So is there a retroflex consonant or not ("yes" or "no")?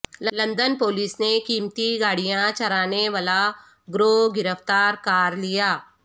yes